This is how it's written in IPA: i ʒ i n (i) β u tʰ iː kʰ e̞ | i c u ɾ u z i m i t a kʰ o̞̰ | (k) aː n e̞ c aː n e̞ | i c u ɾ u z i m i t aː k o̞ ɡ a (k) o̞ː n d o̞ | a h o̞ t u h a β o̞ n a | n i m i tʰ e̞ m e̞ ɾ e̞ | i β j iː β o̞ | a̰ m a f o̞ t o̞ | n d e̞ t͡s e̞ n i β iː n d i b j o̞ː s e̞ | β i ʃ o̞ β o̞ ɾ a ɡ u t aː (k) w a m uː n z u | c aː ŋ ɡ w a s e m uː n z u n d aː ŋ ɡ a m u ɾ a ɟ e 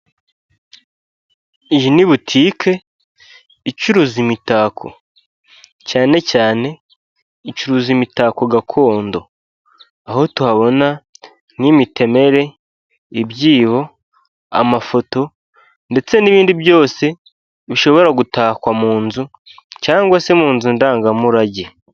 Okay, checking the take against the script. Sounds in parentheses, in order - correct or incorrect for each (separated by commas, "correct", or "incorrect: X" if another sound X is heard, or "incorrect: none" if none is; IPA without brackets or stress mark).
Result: correct, incorrect: c, incorrect: kʰ, correct